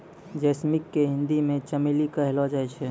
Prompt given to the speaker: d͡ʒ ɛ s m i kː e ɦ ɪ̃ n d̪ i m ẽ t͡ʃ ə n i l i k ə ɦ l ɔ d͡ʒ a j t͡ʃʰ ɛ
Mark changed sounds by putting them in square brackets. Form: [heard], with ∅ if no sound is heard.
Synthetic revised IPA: d͡ʒ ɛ s m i kː e ɦ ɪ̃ n d̪ i m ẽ t͡ʃ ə [m] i l i k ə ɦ l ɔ d͡ʒ a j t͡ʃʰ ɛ

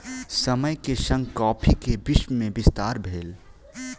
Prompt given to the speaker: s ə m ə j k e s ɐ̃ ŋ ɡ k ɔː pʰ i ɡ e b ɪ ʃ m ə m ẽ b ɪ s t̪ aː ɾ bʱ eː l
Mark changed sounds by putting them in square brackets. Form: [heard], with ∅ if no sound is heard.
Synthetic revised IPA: s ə m ə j k e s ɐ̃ ŋ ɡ k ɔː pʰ i [k] e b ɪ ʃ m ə m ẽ b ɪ s t̪ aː ɾ bʱ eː l

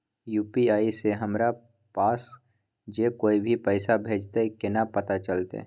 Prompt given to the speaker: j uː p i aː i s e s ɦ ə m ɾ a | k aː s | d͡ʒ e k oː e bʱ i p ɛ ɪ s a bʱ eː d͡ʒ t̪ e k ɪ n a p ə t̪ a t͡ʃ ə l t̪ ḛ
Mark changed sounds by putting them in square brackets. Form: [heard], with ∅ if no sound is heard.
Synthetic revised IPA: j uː p i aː i s e [∅] ɦ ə m ɾ a | [p] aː s | d͡ʒ e k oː [i] bʱ i p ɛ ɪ s a bʱ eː d͡ʒ t̪ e k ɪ n a p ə t̪ a t͡ʃ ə l t̪ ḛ

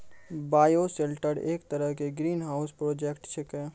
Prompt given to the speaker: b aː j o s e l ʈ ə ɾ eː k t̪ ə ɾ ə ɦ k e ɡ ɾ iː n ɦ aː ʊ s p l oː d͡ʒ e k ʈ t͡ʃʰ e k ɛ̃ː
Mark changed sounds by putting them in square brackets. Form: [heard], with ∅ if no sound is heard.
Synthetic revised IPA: b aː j o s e l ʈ ə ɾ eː k t̪ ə ɾ ə ɦ k e ɡ ɾ iː n ɦ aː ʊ s p [ɾ] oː d͡ʒ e k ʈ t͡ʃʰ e k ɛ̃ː

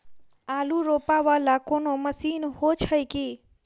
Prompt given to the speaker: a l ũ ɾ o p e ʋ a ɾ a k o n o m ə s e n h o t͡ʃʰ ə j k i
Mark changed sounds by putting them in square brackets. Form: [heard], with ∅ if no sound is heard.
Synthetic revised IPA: a l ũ ɾ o p [a] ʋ a [l] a k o n o m ə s [i] n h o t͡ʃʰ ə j k i

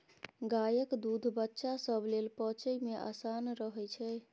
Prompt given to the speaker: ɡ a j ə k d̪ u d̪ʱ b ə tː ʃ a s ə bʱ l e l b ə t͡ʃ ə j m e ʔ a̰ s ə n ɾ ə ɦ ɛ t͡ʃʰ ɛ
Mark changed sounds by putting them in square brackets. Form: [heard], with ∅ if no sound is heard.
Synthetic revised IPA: ɡ a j ə k d̪ u d̪ʱ b ə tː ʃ a s ə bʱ l e l [p] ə t͡ʃ ə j m e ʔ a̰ s [a] n ɾ ə ɦ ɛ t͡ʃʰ ɛ

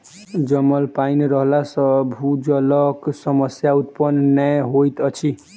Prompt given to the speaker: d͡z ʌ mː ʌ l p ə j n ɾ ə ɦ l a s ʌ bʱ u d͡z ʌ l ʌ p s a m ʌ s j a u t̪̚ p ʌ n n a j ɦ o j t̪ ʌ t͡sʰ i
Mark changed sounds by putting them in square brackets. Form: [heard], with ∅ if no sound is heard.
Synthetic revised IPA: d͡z ʌ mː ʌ l p [a] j n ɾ [ʌ] ɦ l a s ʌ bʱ u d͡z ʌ l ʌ [k] s [ʌ] m ʌ s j a u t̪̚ p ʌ n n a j ɦ o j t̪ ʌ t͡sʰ i

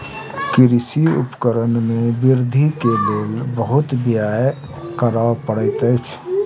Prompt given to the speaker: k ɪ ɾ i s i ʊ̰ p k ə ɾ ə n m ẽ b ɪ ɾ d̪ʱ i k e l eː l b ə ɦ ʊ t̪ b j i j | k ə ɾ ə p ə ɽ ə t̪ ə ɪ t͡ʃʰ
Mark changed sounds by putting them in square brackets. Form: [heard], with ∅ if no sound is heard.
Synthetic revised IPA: k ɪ ɾ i s i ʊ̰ p k ə ɾ ə n m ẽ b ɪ ɾ d̪ʱ i k e l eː l b ə ɦ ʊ t̪ b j [a] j | k ə ɾ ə p ə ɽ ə t̪ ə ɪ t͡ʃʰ

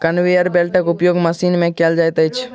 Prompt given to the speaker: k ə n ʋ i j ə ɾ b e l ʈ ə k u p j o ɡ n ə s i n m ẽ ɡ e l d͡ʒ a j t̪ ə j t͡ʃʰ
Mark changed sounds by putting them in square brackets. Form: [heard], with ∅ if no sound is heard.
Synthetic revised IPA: k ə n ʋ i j ə ɾ b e l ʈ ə k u p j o ɡ [m] ə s i n m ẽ [k] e l d͡ʒ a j t̪ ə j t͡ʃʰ

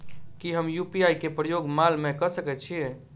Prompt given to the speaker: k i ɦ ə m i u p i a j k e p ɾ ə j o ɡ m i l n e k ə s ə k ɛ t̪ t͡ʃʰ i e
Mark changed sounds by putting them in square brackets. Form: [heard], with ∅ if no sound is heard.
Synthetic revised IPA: k i ɦ ə m [j] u p i a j k e p ɾ ə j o ɡ m [a] l [m] e k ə s ə k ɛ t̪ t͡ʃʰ i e

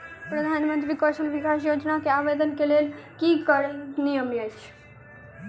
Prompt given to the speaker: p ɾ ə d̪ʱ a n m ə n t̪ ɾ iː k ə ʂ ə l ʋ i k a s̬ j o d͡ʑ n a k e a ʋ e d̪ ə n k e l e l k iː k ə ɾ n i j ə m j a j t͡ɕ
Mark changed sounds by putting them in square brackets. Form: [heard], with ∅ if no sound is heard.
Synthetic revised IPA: p ɾ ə d̪ʱ a n m ə n t̪ ɾ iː k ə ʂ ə l ʋ i k a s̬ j o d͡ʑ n a k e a ʋ e d̪ ə n k e l e l k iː k ə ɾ n i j ə m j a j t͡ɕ

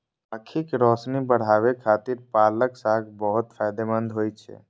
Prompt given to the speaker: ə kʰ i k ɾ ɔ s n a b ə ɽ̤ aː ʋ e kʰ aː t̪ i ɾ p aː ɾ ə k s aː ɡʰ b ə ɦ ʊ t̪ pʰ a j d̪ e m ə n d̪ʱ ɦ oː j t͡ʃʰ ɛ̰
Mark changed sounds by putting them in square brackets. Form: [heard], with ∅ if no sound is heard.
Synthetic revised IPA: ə kʰ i k ɾ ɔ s n [i] b ə ɽ̤ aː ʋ e kʰ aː t̪ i ɾ p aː [l] ə k s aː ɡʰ b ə ɦ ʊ t̪ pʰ a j d̪ e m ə n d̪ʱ ɦ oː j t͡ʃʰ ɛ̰

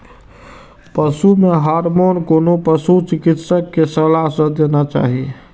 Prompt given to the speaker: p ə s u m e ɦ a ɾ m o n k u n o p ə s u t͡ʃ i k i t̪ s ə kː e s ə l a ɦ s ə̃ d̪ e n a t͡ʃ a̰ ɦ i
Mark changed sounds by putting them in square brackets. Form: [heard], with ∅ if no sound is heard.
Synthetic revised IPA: p ə s u m e ɦ a ɾ m o n k [o] n o p ə s u t͡ʃ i k i t̪ s ə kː e s ə l a ɦ s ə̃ d̪ e n a t͡ʃ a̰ ɦ i

